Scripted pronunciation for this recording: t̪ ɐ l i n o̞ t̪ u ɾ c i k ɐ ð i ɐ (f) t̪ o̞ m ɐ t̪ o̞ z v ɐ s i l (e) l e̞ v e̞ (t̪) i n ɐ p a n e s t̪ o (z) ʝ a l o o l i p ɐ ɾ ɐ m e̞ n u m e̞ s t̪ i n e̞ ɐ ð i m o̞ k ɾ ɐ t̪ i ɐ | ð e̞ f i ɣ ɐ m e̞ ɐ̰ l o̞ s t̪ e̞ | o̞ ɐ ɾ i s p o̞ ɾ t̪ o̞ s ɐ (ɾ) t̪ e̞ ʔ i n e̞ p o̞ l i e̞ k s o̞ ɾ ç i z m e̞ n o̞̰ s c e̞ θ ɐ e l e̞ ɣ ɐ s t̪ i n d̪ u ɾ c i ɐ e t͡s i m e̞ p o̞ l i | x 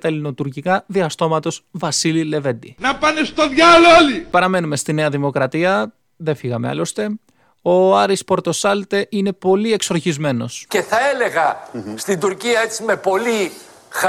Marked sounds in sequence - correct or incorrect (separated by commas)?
incorrect, incorrect, incorrect, incorrect, incorrect